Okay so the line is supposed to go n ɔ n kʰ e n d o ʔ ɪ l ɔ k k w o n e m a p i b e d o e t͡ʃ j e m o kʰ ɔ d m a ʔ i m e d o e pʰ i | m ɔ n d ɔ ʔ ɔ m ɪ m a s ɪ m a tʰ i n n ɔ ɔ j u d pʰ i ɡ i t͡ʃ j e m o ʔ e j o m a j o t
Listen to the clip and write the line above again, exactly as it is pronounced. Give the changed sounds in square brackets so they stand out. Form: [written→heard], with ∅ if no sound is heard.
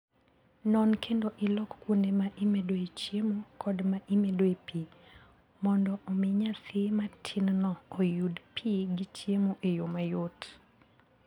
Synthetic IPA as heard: n ɔ n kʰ e n d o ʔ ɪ l ɔ k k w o n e m a [p→ʔ] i [b→m] e d o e t͡ʃ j e m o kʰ ɔ d m a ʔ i m e d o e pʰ i | m ɔ n d ɔ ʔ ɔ m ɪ [m→ɲ] a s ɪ m a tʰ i n n ɔ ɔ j u d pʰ i ɡ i t͡ʃ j e m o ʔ e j o m a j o t